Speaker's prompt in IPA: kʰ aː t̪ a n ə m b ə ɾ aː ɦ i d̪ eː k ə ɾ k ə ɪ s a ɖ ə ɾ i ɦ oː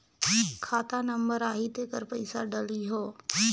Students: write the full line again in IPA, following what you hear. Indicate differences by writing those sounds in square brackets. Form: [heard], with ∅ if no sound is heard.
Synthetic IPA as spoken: kʰ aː t̪ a n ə m b ə ɾ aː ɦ i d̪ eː k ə ɾ [p] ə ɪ s a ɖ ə [l] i ɦ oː